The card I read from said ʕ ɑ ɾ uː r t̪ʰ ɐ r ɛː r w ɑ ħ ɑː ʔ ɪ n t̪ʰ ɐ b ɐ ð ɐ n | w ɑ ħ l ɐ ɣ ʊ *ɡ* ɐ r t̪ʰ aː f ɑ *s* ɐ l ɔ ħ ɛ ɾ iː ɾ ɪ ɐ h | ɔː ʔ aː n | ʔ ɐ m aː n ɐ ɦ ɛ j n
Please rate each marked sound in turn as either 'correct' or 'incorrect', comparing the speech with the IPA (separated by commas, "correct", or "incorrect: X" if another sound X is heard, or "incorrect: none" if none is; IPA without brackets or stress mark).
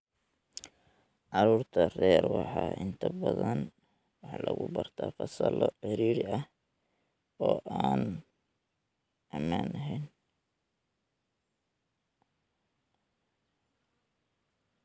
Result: incorrect: b, correct